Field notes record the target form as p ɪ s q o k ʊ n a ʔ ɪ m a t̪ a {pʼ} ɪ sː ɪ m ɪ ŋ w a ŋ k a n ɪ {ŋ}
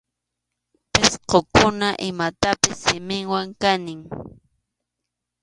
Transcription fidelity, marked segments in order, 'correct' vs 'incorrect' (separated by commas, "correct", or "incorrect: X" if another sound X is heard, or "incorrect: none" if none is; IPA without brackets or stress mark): incorrect: p, correct